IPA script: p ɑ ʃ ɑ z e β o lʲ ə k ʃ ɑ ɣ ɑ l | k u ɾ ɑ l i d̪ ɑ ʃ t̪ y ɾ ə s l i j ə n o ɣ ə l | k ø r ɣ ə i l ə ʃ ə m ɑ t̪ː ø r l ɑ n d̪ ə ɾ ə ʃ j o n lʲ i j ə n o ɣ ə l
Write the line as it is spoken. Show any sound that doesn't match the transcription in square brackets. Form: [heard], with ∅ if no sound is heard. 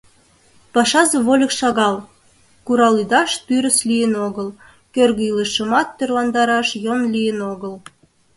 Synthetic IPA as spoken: p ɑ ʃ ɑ z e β o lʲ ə k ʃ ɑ ɣ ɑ l | k u ɾ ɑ l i d̪ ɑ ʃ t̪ y ɾ ə s l i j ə n o ɣ ə l | k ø r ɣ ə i l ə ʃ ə m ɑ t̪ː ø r l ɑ n d̪ [ɑ] ɾ [ɑ] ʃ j o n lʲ i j ə n o ɣ ə l